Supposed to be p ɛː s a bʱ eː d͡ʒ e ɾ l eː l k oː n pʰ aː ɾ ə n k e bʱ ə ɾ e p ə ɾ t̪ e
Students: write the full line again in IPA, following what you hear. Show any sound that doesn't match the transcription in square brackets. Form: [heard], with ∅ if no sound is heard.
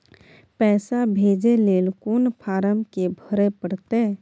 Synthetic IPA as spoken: p ɛː s a bʱ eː d͡ʒ e [∅] l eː l k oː n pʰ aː ɾ ə [m] k e bʱ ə ɾ e p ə [ɽ] t̪ e